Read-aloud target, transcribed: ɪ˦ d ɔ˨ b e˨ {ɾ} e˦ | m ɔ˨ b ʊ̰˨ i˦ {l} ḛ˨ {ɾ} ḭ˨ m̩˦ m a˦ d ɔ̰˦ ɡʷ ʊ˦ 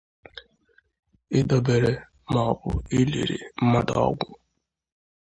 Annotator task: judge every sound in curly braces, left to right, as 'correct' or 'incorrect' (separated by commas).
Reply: correct, correct, correct